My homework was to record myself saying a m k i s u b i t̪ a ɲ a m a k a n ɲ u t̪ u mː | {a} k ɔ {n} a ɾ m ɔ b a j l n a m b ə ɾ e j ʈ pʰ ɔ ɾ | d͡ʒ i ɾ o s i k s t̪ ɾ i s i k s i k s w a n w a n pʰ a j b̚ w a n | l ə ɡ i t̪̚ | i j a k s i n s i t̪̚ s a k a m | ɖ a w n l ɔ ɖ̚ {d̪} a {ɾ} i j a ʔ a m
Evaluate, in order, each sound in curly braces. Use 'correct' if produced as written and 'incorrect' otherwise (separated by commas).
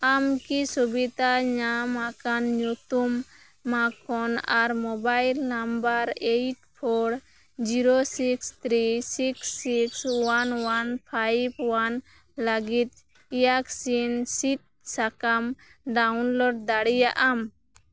correct, correct, correct, incorrect